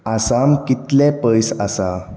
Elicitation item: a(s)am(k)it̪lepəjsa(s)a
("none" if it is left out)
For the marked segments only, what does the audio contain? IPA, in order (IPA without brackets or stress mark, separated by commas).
s, k, s